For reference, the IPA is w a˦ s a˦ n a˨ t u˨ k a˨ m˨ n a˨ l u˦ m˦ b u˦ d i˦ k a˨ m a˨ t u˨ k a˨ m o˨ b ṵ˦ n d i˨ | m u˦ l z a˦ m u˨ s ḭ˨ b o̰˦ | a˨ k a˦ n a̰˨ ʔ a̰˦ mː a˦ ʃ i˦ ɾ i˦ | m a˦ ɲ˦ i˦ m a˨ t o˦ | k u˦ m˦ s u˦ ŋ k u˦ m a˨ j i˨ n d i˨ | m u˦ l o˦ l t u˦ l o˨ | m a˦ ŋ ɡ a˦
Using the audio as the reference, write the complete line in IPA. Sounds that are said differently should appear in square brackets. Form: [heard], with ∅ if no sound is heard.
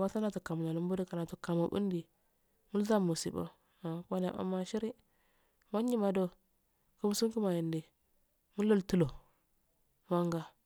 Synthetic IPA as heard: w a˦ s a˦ n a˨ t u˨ k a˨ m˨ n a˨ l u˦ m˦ b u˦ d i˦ k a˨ [n] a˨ t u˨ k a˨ m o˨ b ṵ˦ n d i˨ | m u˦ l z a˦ m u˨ s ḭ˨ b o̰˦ | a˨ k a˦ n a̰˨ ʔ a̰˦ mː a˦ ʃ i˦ ɾ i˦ | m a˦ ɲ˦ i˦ m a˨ [d] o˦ | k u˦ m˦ s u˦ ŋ k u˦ m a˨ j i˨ n d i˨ | m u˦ l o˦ l t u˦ l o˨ | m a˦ ŋ ɡ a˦